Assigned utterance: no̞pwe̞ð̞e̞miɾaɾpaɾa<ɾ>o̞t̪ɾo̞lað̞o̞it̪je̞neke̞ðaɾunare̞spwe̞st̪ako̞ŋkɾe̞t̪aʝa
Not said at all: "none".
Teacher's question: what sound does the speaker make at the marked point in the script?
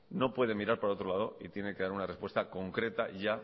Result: none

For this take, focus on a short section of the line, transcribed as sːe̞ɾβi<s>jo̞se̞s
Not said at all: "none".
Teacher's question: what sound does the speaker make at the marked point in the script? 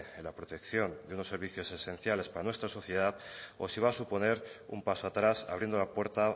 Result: θ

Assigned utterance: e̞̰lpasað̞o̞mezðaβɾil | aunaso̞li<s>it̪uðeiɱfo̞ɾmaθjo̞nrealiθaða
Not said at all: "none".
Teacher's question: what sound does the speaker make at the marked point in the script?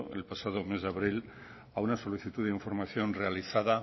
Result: θ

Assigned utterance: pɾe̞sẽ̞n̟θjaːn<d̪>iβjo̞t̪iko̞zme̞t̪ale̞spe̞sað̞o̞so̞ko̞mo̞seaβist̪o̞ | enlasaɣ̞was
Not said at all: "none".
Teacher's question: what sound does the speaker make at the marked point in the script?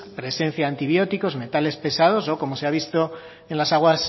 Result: t̪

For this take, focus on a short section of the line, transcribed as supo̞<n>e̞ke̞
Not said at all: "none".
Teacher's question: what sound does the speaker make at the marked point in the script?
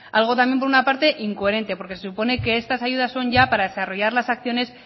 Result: n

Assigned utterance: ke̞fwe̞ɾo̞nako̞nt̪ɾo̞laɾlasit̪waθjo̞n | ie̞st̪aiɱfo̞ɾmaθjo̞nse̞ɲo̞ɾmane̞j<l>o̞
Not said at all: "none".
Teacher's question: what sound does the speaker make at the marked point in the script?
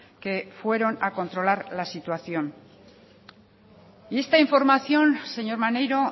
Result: ɾ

